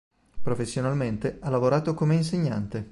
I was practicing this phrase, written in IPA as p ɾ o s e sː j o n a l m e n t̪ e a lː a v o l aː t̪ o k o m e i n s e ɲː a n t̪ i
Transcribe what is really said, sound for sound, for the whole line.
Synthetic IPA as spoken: p ɾ o f e sː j o n a l m e n t̪ e a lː a v o ɾ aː t̪ o k o m e i n s e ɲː a n t̪ e